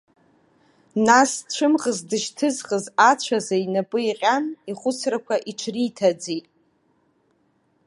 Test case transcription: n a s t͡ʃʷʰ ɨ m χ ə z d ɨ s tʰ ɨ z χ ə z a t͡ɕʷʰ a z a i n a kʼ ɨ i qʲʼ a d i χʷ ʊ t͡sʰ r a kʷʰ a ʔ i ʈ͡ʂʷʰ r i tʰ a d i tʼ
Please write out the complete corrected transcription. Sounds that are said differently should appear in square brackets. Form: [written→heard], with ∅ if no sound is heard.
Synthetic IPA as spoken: n a s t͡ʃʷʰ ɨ m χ ə z d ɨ [s→ʃ] tʰ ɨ z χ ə z a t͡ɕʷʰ a z a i n a [kʼ→pʼ] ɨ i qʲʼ a [d→n] i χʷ ʊ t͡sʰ r a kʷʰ a ʔ i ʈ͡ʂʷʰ r i tʰ a [d→d͡z] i tʼ